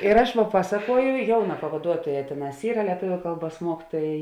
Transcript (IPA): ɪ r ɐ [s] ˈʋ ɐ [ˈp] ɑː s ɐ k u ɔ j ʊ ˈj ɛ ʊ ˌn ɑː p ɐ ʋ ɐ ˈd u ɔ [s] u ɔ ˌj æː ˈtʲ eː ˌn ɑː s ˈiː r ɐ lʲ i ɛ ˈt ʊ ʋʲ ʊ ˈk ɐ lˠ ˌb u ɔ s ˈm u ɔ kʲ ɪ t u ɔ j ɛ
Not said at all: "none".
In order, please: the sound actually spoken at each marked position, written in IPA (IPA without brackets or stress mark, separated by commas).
ʃ, p, t